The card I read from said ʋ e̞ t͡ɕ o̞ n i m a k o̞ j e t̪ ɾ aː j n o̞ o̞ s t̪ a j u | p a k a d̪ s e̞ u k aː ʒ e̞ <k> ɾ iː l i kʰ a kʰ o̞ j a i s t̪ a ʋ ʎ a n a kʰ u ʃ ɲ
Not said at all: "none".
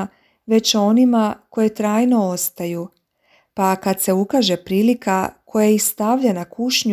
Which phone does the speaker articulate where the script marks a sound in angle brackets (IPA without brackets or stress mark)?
p